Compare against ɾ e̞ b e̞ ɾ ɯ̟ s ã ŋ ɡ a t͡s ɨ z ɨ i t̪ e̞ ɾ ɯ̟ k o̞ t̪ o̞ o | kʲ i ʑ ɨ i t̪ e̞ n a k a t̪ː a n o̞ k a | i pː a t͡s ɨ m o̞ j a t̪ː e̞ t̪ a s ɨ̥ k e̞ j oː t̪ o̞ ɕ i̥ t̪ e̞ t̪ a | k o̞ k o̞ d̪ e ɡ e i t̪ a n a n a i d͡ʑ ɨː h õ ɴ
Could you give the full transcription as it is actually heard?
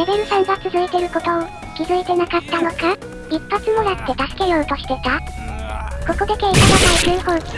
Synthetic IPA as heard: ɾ e̞ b e̞ ɾ ɯ̟ s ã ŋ ɡ a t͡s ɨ z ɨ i t̪ e̞ ɾ ɯ̟ k o̞ t̪ o̞ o | kʲ i z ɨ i t̪ e̞ n a k a t̪ː a n o̞ k a | i pː a t͡s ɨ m o̞ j a t̪ː e̞ t̪ a s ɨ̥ k e̞ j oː t̪ o̞ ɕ i̥ t̪ e̞ t̪ a | k o̞ k o̞ d̪ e k e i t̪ a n a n a i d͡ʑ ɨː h õ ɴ